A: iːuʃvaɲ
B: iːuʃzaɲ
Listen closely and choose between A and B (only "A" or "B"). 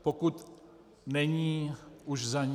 B